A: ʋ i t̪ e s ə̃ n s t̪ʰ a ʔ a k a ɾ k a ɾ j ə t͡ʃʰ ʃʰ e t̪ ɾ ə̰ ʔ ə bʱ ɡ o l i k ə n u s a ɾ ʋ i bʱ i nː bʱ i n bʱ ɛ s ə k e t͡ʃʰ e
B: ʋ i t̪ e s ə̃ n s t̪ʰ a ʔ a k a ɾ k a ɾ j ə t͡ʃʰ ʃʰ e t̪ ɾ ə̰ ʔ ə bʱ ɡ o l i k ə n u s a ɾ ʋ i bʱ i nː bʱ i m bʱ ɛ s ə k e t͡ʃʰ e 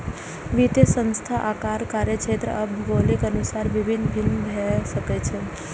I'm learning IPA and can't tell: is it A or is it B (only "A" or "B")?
A